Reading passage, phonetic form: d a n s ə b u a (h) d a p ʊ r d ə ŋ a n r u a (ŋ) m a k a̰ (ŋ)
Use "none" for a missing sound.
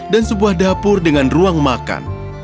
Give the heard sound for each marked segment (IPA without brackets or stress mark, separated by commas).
h, ŋ, n